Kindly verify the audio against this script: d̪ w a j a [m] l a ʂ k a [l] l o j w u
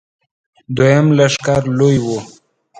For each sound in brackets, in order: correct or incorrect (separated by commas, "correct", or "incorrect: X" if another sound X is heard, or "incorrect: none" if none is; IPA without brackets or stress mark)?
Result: correct, incorrect: ɾ